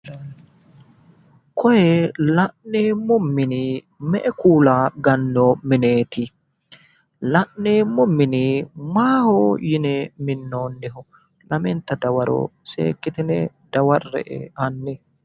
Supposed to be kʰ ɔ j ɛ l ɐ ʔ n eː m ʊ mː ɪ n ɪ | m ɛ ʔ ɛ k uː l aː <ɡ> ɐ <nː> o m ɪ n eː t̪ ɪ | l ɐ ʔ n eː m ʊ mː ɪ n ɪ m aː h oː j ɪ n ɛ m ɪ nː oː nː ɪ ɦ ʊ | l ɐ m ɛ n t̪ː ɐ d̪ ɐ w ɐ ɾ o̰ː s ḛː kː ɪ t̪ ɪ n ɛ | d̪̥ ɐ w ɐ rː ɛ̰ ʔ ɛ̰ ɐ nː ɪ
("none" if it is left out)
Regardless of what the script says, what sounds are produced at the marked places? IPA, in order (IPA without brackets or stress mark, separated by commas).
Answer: ɡ, nː